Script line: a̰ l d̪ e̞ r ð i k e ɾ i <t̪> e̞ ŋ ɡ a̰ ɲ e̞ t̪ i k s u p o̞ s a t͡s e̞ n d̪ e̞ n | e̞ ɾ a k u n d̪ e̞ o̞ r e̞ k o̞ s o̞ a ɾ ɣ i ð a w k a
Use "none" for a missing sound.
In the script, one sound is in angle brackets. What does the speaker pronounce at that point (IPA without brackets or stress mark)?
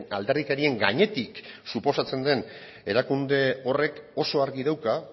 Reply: none